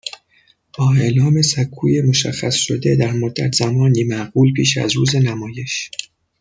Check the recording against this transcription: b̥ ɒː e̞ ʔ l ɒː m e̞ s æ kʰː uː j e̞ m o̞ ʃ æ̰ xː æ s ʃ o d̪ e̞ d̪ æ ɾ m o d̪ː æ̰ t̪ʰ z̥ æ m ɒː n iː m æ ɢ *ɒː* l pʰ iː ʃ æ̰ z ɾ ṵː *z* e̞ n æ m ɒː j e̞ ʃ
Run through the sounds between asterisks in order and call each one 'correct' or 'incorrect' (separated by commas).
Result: incorrect, correct